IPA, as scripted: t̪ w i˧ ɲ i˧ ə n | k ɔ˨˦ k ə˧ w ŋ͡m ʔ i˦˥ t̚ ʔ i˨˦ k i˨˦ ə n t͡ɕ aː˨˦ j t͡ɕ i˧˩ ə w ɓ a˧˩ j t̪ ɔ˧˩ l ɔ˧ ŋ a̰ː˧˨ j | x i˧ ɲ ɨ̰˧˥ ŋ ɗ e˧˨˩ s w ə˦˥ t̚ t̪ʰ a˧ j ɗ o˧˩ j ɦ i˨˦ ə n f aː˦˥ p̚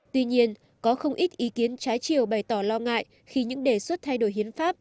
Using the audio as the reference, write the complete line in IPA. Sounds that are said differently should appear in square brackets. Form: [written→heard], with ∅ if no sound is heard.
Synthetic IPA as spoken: t̪ w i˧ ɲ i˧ ə n | k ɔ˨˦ [k→x] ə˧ w ŋ͡m ʔ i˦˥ t̚ ʔ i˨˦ k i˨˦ ə n t͡ɕ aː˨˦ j t͡ɕ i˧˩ ə w ɓ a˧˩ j t̪ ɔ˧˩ l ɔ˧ ŋ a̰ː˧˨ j | x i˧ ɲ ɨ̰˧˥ ŋ ɗ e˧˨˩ s w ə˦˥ t̚ t̪ʰ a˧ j ɗ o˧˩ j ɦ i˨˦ ə n f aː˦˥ p̚